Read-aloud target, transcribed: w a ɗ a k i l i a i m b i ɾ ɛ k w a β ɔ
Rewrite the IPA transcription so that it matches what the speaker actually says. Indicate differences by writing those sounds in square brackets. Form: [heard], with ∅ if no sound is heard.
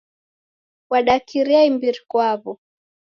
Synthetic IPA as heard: w a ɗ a k i [ɾ] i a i m b i ɾ [i] k w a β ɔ